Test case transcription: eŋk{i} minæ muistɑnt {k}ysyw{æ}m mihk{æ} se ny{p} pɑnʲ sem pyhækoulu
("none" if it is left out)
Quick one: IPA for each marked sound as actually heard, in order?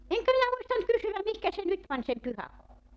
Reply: æ, k, æ, æ, t

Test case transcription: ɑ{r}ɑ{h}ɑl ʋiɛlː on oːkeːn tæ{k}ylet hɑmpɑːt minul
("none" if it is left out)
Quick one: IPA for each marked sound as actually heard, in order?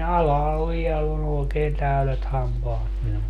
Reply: l, h, none

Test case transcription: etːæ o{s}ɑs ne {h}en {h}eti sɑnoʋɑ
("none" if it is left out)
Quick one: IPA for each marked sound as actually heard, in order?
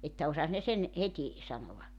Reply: s, s, h

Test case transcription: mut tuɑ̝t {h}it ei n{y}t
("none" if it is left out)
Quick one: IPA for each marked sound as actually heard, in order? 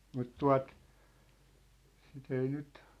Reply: s, y

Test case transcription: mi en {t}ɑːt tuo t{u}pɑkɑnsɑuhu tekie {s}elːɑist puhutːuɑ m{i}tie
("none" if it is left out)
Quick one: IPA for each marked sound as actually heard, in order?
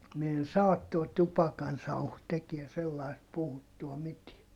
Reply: s, u, s, i

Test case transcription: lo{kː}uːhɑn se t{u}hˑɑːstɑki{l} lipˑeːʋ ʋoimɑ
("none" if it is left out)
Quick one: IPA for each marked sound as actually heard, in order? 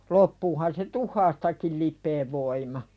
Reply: pː, u, l

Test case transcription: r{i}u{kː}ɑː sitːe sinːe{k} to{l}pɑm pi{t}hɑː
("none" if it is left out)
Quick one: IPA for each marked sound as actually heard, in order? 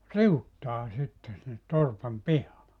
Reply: i, tː, t, r, none

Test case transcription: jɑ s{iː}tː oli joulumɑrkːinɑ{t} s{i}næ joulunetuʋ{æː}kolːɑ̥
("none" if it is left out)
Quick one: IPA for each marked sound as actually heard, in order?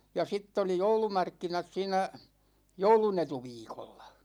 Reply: i, t, iː, iː

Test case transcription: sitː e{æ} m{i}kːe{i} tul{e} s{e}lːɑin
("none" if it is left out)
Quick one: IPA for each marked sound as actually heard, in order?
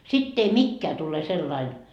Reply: i, i, æ, e, e

